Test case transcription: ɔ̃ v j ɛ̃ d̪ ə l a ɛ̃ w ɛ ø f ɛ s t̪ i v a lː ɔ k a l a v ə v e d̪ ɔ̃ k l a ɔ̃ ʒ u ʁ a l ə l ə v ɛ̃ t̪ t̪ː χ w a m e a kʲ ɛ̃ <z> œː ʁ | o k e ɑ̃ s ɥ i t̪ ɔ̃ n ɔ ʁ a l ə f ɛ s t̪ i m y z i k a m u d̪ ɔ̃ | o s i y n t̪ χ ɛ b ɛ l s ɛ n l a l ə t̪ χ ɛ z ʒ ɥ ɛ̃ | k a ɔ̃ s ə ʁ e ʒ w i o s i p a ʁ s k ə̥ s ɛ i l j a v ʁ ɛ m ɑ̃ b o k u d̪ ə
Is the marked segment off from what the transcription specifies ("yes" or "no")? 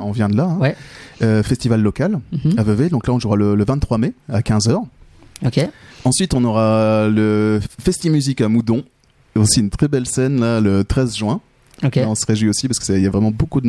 no